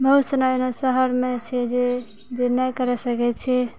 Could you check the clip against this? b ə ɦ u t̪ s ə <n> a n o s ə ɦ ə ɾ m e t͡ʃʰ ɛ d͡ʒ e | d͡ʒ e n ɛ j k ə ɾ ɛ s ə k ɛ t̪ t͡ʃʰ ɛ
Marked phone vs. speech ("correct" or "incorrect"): correct